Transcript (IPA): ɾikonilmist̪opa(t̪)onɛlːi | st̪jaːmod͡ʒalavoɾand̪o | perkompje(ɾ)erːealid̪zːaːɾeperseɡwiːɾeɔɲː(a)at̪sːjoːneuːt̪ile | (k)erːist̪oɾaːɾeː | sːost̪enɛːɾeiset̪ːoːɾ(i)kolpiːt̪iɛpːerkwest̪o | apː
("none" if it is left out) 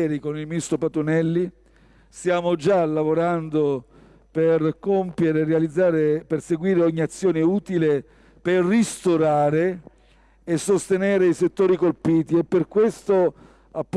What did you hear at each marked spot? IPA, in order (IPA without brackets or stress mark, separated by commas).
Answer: t̪, ɾ, i, p, i